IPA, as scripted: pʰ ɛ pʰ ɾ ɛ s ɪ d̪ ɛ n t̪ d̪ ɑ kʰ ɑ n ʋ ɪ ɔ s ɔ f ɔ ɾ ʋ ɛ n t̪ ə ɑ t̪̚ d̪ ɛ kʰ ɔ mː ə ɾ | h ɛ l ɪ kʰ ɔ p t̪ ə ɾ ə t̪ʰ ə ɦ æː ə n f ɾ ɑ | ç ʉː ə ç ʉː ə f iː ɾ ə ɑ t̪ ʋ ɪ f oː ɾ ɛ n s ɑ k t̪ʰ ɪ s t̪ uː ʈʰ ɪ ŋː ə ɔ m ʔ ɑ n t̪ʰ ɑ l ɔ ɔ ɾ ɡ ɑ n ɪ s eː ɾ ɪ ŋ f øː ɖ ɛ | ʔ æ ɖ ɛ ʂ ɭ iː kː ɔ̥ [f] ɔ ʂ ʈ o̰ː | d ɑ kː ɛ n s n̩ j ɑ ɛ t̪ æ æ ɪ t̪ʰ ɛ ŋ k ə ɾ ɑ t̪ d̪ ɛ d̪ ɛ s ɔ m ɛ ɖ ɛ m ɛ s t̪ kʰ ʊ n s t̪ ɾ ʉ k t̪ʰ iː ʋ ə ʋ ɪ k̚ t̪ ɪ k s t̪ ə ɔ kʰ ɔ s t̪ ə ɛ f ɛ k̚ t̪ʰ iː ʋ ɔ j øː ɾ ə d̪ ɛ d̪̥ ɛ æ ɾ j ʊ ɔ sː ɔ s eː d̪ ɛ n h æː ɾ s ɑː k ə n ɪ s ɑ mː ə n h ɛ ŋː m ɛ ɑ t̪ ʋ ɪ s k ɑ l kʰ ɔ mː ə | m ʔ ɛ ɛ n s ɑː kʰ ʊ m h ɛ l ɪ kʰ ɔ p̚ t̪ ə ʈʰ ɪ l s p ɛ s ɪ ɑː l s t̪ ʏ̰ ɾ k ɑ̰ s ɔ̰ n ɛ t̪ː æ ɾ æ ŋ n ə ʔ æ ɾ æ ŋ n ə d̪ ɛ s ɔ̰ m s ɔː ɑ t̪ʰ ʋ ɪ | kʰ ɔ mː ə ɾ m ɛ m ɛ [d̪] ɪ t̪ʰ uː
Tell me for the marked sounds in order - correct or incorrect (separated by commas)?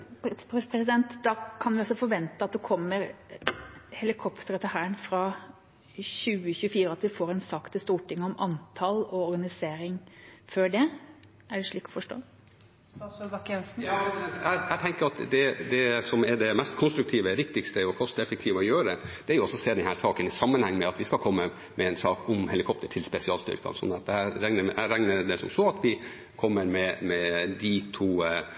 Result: correct, correct